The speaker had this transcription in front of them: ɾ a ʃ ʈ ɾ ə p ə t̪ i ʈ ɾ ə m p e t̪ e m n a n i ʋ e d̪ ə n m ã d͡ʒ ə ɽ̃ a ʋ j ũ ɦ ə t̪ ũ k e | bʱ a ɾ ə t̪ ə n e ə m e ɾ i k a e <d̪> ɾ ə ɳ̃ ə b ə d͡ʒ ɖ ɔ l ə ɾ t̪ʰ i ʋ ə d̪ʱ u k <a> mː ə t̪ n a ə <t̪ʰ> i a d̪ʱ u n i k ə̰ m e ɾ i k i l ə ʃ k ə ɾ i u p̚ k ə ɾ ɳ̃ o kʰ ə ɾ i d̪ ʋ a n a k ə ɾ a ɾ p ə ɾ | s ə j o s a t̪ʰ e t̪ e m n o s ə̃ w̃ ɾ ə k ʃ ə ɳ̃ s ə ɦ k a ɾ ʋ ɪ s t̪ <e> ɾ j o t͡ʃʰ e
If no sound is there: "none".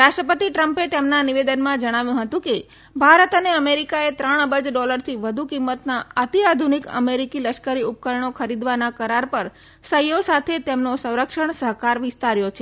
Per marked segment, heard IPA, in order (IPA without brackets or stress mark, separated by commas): t̪, i, t̪, a